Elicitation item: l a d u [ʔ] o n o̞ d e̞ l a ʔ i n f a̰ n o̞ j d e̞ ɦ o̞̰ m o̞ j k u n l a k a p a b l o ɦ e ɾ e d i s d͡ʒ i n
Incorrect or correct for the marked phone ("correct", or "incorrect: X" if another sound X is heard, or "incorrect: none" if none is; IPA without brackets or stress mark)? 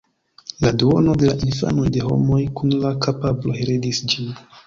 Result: incorrect: none